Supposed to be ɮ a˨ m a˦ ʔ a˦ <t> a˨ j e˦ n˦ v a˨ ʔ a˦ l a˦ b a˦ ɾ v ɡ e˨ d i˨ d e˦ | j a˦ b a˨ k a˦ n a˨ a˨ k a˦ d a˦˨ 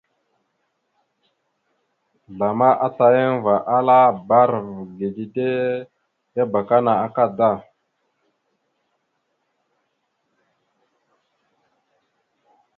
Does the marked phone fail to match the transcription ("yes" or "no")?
no